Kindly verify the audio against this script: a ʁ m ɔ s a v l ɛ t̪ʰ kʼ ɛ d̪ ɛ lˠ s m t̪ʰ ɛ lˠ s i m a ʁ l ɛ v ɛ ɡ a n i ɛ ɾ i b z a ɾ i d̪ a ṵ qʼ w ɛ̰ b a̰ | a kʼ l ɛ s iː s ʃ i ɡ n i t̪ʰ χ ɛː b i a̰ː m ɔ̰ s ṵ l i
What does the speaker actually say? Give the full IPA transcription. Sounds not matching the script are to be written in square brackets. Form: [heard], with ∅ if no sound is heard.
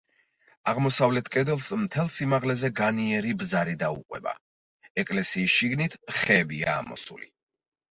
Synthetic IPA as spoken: a ʁ m ɔ s a v l ɛ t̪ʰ kʼ ɛ d̪ ɛ lˠ s m t̪ʰ ɛ lˠ s i m a ʁ l ɛ [z] ɛ ɡ a n i ɛ ɾ i b z a ɾ i d̪ a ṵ qʼ w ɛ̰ b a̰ | [ɛ] kʼ l ɛ s iː s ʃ i ɡ n i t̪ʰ χ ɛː b i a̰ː m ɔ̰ s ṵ l i